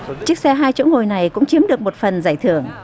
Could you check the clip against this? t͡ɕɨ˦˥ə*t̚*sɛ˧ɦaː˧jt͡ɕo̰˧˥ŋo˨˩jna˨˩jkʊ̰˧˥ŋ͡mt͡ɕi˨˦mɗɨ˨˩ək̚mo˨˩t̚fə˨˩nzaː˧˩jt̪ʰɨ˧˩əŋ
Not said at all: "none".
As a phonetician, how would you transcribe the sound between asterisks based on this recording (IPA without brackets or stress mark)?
k̚